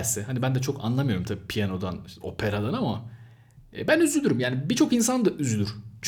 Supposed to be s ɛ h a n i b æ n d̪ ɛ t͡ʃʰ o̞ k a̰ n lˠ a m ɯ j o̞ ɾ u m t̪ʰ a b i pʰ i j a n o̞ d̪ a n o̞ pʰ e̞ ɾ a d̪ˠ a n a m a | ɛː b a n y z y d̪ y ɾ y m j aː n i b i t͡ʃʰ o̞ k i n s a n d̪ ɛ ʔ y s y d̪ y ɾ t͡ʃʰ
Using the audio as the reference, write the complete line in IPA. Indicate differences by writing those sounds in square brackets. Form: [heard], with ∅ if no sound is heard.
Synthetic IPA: s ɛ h a n i b æ n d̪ ɛ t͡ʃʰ o̞ k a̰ n lˠ a m ɯ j o̞ ɾ u m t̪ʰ a b i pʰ i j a n o̞ d̪ a n o̞ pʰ e̞ ɾ a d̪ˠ a n a m a | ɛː b [æ] n y z y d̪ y ɾ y m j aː n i b i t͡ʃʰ o̞ k i n s a n d̪ [a] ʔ y [z] y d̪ y ɾ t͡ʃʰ